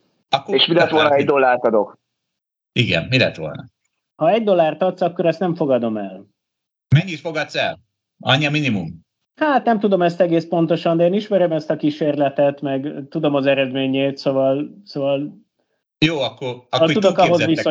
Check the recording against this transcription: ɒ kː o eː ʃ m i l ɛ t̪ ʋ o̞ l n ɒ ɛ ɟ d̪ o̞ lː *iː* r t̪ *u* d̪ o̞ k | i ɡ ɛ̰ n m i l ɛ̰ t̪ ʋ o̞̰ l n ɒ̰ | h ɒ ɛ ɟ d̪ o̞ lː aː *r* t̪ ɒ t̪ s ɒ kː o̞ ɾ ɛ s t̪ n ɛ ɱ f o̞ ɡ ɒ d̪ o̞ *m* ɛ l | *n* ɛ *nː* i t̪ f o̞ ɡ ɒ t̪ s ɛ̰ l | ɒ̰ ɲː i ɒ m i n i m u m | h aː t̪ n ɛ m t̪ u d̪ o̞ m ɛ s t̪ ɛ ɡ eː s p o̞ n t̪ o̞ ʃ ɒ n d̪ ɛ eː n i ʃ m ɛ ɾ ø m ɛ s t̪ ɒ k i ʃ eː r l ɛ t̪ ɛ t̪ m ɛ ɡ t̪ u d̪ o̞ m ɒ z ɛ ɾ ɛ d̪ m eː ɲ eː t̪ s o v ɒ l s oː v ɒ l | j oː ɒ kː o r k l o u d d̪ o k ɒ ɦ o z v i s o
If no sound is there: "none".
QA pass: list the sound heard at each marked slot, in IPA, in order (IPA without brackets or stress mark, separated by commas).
aː, ɒ, r, m, m, ɲː